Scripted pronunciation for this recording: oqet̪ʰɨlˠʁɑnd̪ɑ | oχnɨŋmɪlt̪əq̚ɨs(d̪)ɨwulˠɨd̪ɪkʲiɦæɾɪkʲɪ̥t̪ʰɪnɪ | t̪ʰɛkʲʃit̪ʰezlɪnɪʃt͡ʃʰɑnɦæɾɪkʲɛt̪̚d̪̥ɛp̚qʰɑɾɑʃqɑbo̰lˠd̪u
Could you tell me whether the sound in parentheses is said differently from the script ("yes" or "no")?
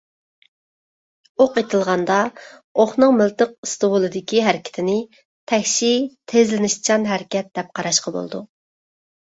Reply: yes